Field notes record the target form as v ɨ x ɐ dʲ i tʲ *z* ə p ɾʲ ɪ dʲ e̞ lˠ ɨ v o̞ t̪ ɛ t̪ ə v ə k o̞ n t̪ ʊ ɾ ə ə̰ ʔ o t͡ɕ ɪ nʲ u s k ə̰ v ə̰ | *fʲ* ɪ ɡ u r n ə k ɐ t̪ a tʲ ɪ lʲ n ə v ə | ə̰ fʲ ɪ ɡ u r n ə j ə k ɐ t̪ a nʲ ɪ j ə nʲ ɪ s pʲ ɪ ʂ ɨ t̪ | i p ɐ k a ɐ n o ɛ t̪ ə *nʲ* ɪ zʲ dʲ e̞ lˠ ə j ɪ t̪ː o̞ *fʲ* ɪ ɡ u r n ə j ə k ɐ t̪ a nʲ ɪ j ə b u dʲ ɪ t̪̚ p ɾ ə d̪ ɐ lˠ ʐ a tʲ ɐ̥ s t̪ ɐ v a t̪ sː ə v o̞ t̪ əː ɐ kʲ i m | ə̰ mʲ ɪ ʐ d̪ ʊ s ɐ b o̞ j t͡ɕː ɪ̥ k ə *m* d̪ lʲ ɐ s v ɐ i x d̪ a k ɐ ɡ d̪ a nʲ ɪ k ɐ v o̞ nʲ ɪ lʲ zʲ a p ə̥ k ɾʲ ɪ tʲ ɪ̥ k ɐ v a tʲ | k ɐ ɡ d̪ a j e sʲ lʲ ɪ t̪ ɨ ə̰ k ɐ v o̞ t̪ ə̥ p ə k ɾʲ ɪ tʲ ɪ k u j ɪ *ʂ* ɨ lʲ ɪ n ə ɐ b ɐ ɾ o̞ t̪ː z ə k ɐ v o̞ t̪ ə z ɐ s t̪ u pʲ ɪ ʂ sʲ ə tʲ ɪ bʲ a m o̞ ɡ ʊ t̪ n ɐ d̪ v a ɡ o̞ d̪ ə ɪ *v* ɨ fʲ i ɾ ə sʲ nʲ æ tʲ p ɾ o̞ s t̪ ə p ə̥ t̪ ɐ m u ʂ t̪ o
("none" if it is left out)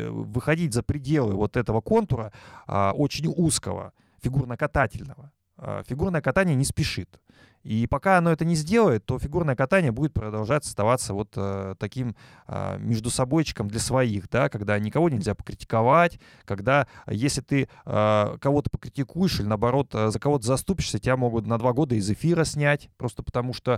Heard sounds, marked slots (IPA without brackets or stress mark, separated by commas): z, fʲ, nʲ, fʲ, m, ʂ, z